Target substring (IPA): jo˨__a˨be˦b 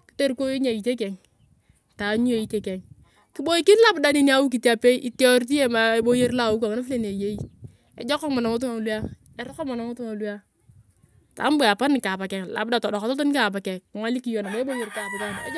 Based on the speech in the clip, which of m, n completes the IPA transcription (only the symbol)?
n